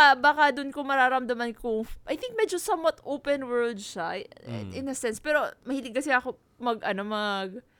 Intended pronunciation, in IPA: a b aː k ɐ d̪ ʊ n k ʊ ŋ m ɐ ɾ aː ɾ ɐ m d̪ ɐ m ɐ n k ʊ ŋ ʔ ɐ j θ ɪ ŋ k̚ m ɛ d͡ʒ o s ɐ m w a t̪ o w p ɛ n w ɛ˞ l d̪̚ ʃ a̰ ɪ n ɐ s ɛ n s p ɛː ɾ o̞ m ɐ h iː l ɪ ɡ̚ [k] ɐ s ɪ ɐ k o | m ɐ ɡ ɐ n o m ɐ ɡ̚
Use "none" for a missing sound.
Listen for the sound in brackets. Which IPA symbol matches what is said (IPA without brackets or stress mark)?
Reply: k